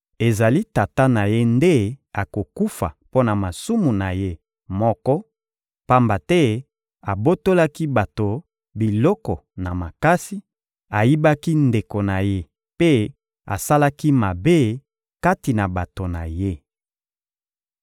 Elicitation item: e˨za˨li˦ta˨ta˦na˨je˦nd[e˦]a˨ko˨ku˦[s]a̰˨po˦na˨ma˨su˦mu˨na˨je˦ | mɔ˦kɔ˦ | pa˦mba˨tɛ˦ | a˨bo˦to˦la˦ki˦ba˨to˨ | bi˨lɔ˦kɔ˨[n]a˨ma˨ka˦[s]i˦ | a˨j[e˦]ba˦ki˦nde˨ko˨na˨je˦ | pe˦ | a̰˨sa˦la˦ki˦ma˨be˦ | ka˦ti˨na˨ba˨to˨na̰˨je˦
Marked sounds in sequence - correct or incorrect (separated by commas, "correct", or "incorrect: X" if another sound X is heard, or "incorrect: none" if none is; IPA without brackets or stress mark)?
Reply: correct, incorrect: f, correct, correct, incorrect: i˦